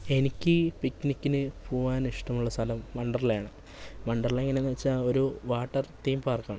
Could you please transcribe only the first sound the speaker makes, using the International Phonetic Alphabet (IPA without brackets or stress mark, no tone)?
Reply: e̞